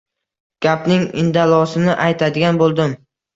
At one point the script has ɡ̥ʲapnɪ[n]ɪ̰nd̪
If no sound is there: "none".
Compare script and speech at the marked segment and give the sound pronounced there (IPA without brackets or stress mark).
ŋ